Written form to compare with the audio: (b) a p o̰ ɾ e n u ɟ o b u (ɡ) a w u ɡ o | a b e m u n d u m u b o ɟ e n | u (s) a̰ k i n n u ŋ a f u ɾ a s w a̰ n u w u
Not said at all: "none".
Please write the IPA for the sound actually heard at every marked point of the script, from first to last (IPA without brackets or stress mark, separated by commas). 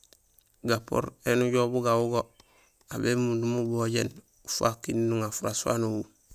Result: ɡ, ɡ, f